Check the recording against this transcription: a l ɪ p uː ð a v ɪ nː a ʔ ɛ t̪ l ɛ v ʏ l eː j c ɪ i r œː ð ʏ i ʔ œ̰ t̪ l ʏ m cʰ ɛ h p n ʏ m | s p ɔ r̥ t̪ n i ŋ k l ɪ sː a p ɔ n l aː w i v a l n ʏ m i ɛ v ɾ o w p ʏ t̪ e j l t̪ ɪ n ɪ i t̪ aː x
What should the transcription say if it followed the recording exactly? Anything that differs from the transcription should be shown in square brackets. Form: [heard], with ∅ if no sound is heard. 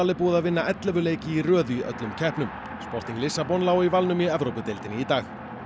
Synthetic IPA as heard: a l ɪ p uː ð a v ɪ nː a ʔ ɛ t̪ l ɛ v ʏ l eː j c ɪ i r œː ð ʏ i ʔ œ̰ t̪ l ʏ m cʰ ɛ h p n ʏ m | s p ɔ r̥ t̪ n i ŋ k l ɪ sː a p ɔ n l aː w i v a l n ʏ m i ɛ v ɾ o w p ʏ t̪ e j l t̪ ɪ n ɪ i t̪ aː x